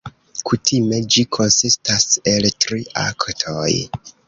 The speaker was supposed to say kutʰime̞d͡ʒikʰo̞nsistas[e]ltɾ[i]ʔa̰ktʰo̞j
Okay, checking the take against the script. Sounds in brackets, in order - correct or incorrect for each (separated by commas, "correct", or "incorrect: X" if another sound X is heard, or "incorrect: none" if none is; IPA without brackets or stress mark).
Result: correct, correct